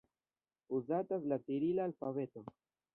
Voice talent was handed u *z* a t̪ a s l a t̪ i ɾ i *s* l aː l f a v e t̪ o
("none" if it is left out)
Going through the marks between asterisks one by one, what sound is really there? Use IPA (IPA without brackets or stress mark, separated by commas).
z, none